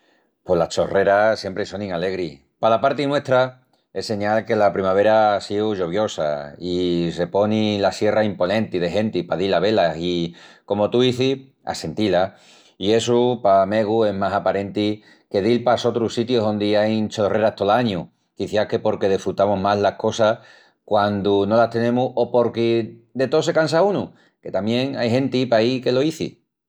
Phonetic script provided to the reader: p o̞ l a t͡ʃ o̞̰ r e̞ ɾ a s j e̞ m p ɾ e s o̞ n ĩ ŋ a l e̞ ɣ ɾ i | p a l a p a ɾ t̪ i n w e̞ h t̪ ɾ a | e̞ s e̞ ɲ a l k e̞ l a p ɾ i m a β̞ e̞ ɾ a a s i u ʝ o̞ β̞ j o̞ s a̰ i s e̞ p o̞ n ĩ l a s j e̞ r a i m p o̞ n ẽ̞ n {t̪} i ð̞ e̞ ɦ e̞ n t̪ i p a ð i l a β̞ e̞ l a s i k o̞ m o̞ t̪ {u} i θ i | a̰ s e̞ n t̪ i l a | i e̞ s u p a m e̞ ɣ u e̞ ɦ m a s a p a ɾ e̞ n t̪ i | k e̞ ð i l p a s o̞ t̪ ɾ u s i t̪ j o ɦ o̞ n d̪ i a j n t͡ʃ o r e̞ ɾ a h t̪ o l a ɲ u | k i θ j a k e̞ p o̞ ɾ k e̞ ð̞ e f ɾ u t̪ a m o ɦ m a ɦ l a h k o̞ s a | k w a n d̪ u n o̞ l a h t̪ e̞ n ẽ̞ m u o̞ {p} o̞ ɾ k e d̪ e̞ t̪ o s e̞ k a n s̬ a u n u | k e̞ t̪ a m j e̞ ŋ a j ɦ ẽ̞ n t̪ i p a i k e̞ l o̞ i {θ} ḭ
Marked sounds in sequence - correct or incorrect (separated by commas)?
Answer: correct, correct, correct, correct